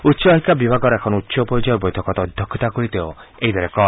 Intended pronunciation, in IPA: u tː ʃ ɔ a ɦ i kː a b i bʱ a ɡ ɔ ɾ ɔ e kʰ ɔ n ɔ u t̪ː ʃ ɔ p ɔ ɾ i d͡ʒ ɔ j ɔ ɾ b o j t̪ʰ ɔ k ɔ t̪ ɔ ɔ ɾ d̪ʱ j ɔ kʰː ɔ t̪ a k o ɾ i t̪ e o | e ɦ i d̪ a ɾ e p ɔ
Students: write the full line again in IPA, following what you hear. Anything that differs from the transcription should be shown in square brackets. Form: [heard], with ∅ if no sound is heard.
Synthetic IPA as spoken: u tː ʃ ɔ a ɦ i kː a b i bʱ a ɡ ɔ ɾ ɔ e kʰ ɔ n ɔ u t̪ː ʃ ɔ p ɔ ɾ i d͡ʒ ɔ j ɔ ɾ b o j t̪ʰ ɔ k ɔ t̪ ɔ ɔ [∅] d̪ʱ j ɔ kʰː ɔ t̪ a k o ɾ i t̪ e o | e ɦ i d̪ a ɾ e [k] ɔ